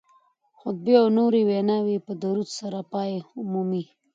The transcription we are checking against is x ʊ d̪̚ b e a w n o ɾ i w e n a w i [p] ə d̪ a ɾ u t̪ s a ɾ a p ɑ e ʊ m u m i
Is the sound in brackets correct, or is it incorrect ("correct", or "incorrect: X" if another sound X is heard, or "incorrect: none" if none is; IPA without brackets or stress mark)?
correct